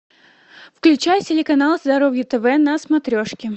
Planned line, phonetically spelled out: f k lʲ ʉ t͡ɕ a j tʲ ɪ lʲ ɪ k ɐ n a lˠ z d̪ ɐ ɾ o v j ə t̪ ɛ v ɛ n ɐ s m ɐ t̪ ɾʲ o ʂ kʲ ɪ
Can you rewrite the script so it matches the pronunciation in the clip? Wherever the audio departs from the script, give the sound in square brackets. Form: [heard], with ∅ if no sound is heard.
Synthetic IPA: f k lʲ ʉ t͡ɕ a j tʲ ɪ lʲ ɪ k ɐ n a lˠ z d̪ ɐ ɾ o v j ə t̪ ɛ v ɛ n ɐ s m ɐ t̪ ɾʲ o ʂ kʲ ɪ